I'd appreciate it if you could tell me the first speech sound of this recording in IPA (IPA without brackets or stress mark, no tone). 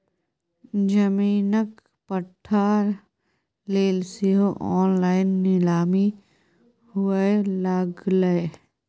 d͡ʒ